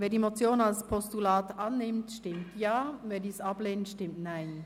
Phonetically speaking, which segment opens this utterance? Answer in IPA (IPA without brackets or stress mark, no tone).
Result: v